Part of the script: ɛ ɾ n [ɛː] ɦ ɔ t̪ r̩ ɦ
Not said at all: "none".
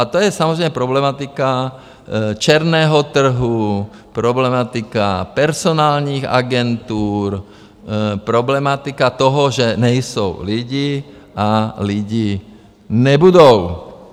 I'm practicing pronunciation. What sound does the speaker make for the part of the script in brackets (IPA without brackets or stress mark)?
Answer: ɛː